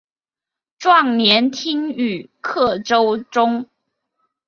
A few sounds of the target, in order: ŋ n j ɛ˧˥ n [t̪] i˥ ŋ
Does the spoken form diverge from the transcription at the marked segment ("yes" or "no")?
yes